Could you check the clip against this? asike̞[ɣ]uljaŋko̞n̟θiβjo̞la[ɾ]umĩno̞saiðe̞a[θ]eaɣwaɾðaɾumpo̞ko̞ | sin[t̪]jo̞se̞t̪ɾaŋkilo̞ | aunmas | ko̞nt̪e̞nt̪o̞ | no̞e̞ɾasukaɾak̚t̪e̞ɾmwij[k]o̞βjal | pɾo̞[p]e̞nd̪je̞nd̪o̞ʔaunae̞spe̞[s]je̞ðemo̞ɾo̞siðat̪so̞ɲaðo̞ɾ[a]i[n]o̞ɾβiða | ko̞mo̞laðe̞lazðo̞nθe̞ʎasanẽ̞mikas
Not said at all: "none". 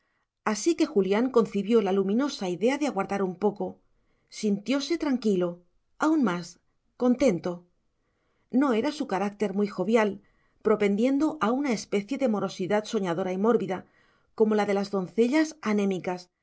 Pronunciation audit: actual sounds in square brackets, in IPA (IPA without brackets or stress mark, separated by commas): x, l, ð, t̪, x, p, θ, a, m